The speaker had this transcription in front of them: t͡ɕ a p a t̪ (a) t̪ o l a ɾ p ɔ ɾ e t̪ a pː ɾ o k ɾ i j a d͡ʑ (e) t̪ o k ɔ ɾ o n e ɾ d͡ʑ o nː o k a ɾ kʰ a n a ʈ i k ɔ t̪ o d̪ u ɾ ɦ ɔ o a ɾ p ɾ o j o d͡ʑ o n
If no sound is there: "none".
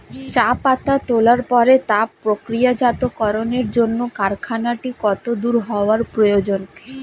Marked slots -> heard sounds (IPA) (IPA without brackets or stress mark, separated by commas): a, a